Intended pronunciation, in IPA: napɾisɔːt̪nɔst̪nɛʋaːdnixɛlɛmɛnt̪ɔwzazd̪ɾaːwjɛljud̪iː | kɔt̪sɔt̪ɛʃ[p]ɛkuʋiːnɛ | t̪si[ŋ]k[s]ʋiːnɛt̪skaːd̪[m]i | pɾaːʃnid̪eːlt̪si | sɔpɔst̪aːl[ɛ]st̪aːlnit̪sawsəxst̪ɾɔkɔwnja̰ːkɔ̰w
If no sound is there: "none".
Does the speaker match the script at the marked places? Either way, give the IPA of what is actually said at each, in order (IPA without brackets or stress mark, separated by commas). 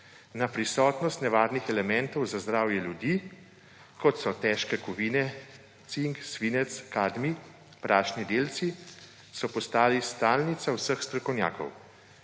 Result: k, ŋ, s, m, i